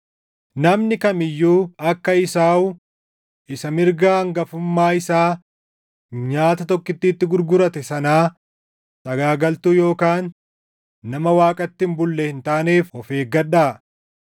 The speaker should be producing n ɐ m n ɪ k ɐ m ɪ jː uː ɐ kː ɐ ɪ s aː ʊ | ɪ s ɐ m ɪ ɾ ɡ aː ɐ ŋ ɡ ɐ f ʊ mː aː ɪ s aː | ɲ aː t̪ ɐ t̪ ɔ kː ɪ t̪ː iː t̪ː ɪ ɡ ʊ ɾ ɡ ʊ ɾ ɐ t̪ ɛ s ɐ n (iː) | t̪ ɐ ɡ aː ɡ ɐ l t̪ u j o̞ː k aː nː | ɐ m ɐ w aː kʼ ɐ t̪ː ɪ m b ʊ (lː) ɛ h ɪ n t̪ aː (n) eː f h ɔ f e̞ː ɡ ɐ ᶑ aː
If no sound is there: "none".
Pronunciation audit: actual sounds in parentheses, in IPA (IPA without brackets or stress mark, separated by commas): aː, lː, n